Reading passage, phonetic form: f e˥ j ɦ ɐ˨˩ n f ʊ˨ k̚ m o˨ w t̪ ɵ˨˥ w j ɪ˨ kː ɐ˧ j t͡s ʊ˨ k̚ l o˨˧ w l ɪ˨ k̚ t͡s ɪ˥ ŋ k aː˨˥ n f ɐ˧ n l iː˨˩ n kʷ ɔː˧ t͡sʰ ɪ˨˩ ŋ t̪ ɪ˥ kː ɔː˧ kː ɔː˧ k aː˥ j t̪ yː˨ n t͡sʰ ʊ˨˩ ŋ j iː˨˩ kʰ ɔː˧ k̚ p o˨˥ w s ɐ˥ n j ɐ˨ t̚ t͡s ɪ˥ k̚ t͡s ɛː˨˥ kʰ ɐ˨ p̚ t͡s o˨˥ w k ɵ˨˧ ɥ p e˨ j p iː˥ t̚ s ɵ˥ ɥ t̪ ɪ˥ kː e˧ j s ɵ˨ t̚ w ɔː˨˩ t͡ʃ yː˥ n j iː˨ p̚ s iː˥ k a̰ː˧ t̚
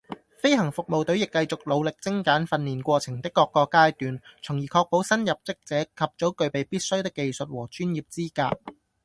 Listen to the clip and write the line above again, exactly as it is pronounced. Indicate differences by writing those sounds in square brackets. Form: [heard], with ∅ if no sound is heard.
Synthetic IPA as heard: f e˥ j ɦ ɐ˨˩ [ŋ] f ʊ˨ k̚ m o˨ w t̪ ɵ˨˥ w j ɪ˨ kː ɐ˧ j t͡s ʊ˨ k̚ l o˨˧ w l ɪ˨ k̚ t͡s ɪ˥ ŋ k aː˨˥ n f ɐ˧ n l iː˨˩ n kʷ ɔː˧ t͡sʰ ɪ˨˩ ŋ t̪ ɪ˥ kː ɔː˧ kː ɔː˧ k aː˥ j t̪ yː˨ n t͡sʰ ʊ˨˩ ŋ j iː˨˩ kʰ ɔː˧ k̚ p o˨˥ w s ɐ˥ n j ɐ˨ [p̚] t͡s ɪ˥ k̚ t͡s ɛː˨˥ kʰ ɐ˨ p̚ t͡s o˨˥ w k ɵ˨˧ ɥ p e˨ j p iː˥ t̚ s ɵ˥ ɥ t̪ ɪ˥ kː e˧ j s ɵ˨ t̚ w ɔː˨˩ t͡ʃ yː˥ n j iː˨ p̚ [t͡s] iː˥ k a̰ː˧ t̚

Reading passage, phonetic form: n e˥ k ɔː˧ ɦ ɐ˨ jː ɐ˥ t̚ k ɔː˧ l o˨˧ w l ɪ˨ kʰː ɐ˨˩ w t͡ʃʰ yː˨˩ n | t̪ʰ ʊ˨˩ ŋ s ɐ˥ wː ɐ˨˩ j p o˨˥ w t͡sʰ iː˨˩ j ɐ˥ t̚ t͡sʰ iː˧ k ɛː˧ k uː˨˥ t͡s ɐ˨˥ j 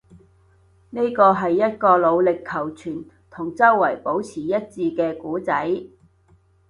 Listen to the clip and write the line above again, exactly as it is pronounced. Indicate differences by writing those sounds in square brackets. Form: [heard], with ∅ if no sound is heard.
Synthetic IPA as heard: n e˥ k ɔː˧ ɦ ɐ˨ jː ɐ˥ t̚ k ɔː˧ l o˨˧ w l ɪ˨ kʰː ɐ˨˩ w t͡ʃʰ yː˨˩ n | t̪ʰ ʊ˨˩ ŋ [t͡s] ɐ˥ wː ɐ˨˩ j p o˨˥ w t͡sʰ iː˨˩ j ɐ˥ t̚ [t͡s] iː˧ k ɛː˧ k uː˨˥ t͡s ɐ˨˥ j

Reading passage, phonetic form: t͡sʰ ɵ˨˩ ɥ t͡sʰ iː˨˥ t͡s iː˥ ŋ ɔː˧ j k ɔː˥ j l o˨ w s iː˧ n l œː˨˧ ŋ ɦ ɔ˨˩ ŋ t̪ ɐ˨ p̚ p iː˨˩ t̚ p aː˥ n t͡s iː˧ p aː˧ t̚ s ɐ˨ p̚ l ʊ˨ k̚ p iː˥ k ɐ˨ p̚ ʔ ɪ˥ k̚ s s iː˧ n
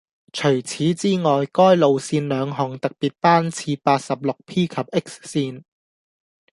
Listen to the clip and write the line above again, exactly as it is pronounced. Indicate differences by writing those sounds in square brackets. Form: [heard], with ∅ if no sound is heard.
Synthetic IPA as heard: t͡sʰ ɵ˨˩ ɥ t͡sʰ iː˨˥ t͡s iː˥ ŋ [ɔː˨˩] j k ɔː˥ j l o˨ w s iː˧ n l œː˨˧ ŋ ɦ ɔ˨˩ ŋ t̪ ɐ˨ [k̚] p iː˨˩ t̚ p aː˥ n [t͡sʰ] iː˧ p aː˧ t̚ s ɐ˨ p̚ l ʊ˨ k̚ [pʰ] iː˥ [kʰ] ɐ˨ p̚ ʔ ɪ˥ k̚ s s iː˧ n

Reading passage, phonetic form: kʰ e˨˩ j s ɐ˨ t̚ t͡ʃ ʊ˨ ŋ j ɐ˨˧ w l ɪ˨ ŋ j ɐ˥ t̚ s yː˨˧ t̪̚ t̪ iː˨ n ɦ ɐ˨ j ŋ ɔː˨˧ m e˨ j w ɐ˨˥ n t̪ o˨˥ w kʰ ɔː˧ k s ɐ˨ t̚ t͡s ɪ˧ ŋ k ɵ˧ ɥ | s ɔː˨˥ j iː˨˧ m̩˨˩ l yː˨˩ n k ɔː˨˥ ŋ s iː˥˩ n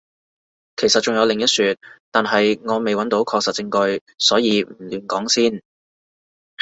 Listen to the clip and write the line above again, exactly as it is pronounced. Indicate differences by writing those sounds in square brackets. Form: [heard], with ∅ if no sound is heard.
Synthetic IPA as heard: kʰ e˨˩ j s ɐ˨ t̚ t͡ʃ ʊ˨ ŋ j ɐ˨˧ w l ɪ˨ ŋ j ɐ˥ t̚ s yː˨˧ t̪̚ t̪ [aː˨] n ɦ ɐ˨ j ŋ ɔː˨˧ m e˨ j w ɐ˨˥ n t̪ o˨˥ w kʰ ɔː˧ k s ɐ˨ t̚ t͡s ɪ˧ ŋ k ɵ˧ ɥ | s ɔː˨˥ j iː˨˧ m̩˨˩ l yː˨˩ n k ɔː˨˥ ŋ s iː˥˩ n

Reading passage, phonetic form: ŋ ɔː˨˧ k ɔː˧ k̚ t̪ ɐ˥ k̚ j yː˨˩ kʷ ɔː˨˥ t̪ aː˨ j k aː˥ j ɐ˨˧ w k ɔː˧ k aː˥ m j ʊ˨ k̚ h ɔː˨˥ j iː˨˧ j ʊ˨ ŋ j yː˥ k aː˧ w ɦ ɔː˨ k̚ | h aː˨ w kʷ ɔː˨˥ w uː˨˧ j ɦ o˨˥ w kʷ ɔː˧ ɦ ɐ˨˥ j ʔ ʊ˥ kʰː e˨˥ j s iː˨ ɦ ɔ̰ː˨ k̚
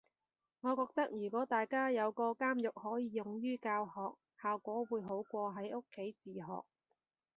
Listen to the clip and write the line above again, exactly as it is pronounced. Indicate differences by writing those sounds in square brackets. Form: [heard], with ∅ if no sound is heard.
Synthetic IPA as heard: ŋ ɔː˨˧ k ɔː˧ k̚ t̪ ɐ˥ k̚ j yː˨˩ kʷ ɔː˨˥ t̪ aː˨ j k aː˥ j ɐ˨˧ w k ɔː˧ k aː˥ m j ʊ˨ k̚ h ɔː˨˥ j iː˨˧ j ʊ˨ ŋ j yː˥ k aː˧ w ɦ ɔː˨ k̚ | h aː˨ w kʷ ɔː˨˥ w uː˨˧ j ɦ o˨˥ w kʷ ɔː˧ ɦ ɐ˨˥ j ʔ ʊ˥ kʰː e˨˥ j [t͡s] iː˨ ɦ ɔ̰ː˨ k̚

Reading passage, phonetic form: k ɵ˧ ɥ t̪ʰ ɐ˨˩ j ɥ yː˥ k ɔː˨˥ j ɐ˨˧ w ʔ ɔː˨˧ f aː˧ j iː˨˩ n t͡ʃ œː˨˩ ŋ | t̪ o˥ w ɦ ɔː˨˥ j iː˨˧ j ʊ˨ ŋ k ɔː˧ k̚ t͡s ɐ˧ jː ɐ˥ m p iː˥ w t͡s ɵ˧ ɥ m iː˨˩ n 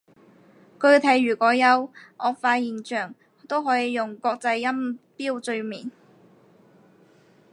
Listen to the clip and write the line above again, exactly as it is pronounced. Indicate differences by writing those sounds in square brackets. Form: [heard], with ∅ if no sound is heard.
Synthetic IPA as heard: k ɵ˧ ɥ t̪ʰ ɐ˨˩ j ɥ [yː˨˩] k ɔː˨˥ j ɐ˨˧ w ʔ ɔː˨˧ f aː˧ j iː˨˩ n t͡ʃ œː˨˩ ŋ | t̪ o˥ w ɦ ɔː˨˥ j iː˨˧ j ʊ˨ ŋ k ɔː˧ k̚ t͡s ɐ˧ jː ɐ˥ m p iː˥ w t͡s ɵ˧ ɥ m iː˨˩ n

